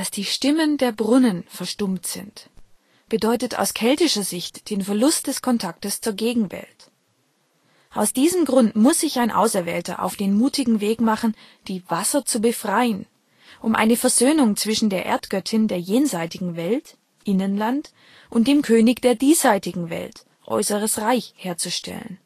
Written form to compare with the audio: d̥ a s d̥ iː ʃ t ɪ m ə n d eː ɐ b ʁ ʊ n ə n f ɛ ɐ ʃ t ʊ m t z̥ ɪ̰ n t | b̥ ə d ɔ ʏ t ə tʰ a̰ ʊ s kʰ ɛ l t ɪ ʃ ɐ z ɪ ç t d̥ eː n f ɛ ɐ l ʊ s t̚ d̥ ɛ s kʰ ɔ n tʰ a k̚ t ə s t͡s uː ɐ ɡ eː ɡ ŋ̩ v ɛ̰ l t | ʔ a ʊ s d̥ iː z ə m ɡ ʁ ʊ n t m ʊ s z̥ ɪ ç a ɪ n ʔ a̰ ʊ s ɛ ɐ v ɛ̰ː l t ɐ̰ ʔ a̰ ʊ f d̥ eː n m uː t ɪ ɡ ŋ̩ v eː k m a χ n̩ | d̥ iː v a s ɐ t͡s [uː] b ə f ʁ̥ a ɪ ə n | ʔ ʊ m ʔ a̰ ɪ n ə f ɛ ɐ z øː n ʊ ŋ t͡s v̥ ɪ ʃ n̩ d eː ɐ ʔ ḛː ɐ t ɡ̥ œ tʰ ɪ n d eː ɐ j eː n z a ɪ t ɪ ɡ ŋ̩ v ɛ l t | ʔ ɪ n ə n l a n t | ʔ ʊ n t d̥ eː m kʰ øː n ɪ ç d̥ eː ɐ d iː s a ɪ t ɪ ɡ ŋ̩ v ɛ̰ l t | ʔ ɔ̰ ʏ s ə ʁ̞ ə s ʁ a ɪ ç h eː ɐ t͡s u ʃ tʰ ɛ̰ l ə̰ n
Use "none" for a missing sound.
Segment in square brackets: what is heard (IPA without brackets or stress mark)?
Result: u